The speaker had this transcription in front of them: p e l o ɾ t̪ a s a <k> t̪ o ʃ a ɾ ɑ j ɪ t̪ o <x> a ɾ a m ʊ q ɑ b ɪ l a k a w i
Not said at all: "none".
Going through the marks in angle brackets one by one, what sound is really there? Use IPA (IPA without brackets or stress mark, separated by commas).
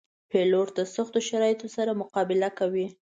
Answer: x, s